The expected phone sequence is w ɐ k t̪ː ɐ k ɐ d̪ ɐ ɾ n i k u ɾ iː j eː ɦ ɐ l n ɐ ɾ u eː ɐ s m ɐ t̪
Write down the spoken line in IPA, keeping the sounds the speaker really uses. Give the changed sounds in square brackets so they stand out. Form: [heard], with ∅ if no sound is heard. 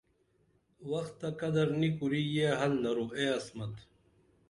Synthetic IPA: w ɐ [x] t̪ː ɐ k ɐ d̪ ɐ ɾ n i k u ɾ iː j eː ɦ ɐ l n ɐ ɾ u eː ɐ s m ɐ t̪